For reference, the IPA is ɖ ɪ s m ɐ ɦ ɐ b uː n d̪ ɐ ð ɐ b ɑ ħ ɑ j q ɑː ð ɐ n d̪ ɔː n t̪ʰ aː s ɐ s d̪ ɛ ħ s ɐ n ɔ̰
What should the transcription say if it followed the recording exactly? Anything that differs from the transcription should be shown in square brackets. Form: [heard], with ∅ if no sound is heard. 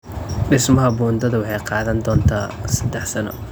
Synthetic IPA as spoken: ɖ ɪ s m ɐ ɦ ɐ b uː n d̪ ɐ ð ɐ [w] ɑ ħ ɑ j q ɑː ð ɐ n d̪ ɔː n t̪ʰ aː s ɐ [∅] d̪ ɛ ħ s ɐ n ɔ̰